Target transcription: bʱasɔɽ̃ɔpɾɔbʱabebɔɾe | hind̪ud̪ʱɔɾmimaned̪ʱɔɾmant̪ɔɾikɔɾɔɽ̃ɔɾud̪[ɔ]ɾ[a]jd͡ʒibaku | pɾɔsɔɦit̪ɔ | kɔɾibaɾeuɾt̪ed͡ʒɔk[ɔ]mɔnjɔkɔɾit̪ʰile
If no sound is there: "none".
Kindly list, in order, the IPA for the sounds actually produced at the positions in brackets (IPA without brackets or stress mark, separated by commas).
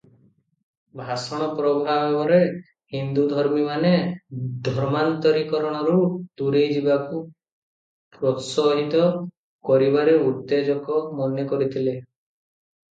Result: u, e, ɔ